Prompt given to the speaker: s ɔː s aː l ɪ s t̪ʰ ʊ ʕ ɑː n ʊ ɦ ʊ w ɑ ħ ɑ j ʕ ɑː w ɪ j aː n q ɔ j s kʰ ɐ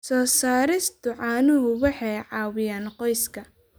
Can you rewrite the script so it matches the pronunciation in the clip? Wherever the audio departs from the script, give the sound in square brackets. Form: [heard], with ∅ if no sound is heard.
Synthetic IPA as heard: s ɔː s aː [ɾ] ɪ s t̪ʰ ʊ ʕ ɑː n ʊ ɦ ʊ w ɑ ħ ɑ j ʕ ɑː w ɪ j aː n q ɔ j s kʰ ɐ

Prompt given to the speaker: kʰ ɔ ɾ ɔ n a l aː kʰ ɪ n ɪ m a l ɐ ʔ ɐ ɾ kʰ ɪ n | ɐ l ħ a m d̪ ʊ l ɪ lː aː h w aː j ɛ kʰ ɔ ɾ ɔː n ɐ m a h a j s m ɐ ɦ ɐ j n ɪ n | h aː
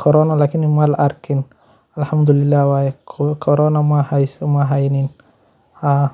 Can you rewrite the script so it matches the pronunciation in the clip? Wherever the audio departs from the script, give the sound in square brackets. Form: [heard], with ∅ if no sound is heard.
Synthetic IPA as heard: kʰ ɔ ɾ ɔ n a l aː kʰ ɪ n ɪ m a l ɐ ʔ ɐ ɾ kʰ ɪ n | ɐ l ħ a m d̪ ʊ l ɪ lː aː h w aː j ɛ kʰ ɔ ɾ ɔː n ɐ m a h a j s m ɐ ɦ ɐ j n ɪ n | h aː

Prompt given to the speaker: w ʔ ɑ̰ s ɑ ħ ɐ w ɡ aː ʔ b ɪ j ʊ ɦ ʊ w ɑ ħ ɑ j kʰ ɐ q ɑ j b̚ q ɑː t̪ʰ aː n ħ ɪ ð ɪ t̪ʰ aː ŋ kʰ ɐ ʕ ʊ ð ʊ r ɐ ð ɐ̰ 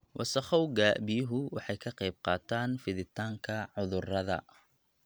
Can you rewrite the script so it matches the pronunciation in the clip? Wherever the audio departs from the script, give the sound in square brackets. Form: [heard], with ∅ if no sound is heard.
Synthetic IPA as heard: w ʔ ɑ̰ s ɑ [χ] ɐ w ɡ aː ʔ b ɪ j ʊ ɦ ʊ w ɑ ħ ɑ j kʰ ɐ q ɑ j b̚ q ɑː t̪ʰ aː n [f] ɪ ð ɪ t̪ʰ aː ŋ kʰ ɐ ʕ ʊ ð ʊ r ɐ ð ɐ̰

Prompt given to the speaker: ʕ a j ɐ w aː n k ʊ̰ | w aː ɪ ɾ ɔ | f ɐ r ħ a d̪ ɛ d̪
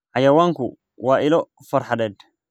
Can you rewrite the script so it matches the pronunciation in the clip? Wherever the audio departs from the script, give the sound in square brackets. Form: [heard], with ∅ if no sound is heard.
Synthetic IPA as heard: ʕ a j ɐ w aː [ŋ] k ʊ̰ | w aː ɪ [l] ɔ | f ɐ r ħ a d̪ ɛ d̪

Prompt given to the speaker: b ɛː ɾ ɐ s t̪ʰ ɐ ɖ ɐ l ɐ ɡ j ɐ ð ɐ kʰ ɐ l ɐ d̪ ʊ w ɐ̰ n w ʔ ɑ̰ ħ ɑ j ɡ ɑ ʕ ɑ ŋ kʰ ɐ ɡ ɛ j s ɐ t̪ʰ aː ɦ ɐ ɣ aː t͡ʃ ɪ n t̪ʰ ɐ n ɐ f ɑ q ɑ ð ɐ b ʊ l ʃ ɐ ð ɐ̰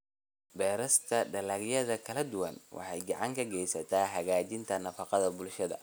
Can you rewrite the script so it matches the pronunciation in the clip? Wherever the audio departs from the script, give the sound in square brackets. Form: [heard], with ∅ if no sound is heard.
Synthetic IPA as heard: b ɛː ɾ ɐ s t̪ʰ ɐ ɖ ɐ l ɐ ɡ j ɐ ð ɐ kʰ ɐ l ɐ d̪ ʊ w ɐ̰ n w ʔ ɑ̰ ħ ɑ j ɡ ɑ ʕ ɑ ŋ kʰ ɐ ɡ ɛ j s ɐ t̪ʰ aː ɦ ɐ ɣ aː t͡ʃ ɪ n t̪ʰ ɐ n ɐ f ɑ q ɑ ð ɐ b ʊ l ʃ ɐ ð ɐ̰

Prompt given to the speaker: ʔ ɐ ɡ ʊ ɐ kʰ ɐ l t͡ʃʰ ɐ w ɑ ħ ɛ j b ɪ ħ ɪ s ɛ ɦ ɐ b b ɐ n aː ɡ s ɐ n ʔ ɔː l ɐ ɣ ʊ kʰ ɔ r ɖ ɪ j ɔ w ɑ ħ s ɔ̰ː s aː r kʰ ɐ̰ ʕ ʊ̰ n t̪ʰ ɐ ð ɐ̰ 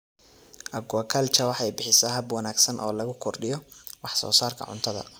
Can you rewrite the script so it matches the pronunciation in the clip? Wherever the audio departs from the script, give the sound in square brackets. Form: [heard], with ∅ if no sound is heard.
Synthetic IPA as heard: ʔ ɐ ɡ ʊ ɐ kʰ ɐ l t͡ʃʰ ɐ w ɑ ħ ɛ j b ɪ ħ ɪ s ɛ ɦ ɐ b [w] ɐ n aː ɡ s ɐ n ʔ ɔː l ɐ ɣ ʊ kʰ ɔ r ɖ ɪ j ɔ w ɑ ħ s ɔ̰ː s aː r kʰ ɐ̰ ʕ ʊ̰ n t̪ʰ ɐ ð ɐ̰

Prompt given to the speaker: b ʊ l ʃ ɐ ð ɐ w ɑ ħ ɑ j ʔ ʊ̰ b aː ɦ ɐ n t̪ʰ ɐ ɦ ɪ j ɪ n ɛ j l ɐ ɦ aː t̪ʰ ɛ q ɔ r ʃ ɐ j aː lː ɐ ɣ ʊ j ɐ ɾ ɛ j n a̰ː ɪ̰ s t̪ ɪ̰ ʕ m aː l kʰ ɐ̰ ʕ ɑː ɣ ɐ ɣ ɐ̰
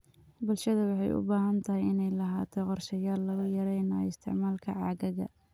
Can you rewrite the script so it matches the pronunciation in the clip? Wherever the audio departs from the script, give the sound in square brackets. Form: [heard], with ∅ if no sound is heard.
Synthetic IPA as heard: b ʊ l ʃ ɐ ð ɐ w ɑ ħ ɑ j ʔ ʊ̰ b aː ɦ ɐ n t̪ʰ ɐ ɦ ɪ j ɪ n ɛ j l ɐ ɦ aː t̪ʰ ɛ q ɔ r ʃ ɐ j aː lː ɐ ɣ ʊ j ɐ ɾ ɛ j n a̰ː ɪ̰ s [t̪ʰ] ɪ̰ ʕ m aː l kʰ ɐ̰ ʕ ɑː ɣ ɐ ɣ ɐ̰

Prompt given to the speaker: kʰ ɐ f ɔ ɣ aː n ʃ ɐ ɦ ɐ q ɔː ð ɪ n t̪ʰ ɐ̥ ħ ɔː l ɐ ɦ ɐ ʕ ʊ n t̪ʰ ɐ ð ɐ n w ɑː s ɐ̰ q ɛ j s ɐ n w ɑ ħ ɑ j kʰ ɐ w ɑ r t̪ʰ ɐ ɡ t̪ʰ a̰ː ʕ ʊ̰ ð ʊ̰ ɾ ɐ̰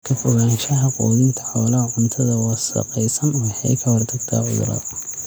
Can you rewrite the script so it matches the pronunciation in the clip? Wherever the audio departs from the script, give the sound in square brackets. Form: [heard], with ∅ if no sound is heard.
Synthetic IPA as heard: kʰ ɐ f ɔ ɣ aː n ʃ ɐ ɦ ɐ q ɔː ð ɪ n t̪ʰ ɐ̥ ħ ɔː l ɐ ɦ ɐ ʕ ʊ n t̪ʰ ɐ ð ɐ [∅] w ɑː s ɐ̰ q ɛ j s ɐ n w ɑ ħ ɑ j kʰ ɐ w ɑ r t̪ʰ ɐ ɡ t̪ʰ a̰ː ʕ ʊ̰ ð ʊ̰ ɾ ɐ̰

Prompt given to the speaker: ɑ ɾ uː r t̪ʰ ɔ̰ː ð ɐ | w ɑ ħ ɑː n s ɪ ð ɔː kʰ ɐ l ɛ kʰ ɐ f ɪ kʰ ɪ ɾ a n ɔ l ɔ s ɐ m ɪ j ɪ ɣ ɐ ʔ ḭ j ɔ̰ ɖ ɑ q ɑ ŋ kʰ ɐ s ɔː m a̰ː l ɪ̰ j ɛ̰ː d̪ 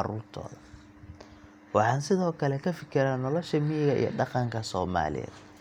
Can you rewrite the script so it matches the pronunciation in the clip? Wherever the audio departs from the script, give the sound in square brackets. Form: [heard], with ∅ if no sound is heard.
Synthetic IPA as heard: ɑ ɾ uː r t̪ʰ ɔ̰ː ð ɐ | w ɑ ħ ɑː n s ɪ ð ɔː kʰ ɐ l ɛ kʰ ɐ f ɪ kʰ ɪ ɾ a n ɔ l ɔ [ʃ] ɐ m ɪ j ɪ ɣ ɐ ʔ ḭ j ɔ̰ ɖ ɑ q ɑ ŋ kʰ ɐ s ɔː m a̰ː l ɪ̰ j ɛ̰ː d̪

